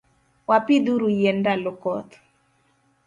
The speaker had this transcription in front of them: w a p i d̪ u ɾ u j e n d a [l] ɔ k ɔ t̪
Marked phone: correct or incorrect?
correct